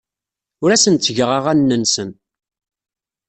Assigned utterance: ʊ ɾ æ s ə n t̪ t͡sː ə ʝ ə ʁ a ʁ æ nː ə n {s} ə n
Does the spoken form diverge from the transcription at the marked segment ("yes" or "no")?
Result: no